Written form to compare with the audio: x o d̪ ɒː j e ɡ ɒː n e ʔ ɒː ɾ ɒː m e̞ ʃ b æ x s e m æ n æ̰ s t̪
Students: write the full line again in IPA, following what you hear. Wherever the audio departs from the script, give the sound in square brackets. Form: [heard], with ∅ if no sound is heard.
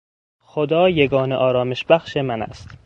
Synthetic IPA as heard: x o d̪ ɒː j e ɡ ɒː n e ʔ ɒː ɾ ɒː m e̞ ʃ b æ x [ʃ] e m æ n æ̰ s t̪